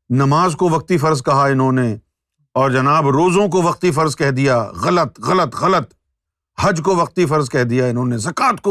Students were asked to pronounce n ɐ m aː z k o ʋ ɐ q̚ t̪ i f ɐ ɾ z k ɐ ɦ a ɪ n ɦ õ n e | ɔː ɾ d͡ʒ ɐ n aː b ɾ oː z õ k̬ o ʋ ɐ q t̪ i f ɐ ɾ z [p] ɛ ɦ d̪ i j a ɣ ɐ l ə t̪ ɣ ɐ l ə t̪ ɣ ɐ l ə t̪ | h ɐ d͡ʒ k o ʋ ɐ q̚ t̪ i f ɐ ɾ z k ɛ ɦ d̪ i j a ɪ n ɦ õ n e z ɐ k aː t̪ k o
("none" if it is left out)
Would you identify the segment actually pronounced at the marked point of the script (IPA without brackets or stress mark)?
k